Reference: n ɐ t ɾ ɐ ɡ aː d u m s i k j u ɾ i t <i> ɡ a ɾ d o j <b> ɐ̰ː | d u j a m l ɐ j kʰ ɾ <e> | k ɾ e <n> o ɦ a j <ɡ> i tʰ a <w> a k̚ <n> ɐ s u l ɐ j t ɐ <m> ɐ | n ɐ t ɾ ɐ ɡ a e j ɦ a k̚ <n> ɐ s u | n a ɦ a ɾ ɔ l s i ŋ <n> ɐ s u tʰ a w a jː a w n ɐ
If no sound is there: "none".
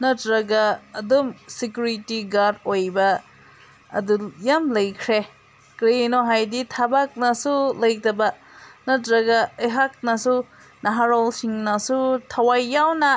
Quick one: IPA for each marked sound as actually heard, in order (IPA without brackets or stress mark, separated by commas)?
i, b, e, n, d, b, n, b, n, n